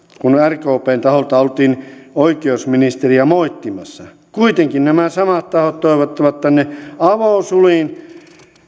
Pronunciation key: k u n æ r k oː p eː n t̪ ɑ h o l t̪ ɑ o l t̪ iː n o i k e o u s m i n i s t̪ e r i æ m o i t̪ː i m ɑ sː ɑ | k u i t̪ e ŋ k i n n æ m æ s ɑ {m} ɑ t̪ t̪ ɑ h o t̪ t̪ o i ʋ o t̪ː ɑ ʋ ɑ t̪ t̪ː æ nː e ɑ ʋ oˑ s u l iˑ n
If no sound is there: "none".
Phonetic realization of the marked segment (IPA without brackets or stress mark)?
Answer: m